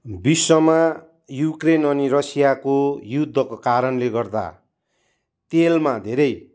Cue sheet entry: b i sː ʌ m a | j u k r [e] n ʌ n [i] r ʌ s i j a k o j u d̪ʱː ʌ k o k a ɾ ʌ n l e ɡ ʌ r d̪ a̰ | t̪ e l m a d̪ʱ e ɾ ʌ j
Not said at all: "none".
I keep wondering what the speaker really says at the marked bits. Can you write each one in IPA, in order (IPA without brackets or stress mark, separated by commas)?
e, i